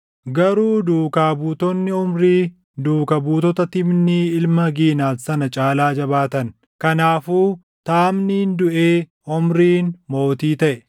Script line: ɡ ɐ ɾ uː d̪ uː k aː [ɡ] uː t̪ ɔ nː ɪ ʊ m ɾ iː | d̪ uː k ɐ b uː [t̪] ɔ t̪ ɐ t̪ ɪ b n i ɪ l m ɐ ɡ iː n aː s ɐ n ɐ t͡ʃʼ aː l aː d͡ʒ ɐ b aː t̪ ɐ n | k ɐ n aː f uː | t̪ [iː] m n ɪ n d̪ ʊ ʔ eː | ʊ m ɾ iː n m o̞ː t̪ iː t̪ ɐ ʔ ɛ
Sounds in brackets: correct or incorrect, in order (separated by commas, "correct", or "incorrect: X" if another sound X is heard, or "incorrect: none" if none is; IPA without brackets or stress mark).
incorrect: b, correct, incorrect: aː